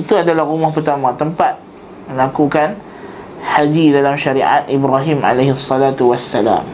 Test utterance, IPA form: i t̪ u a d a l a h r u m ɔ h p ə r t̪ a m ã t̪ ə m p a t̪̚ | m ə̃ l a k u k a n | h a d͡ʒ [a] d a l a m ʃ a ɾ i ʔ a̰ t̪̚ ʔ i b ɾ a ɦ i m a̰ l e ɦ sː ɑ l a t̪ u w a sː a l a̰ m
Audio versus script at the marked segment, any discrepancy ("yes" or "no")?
yes